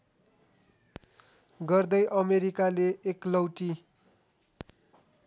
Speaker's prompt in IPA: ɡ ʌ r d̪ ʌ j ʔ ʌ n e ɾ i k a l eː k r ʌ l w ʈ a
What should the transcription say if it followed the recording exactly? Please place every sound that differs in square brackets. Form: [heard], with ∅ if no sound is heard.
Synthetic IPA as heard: ɡ ʌ r d̪ ʌ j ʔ ʌ [m] e ɾ i k a l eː k [l] ʌ [∅] w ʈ [i]